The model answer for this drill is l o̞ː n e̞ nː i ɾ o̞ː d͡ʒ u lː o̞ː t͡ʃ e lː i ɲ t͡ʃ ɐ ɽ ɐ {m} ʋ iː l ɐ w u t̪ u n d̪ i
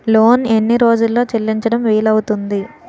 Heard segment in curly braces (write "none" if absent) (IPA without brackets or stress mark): m